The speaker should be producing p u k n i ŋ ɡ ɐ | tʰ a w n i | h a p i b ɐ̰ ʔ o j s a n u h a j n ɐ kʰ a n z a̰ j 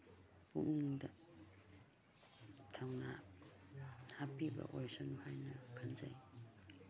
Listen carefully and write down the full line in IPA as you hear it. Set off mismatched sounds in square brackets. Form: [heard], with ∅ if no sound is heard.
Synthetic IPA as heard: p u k n i ŋ [d] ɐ | tʰ a w n [a] | h a p i b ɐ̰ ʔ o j s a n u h a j n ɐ kʰ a n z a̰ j